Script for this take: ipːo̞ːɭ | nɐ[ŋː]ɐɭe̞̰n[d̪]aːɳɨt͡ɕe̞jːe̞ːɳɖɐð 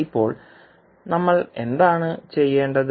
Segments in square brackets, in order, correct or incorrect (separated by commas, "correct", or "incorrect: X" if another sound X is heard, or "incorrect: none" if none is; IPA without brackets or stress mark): incorrect: mː, correct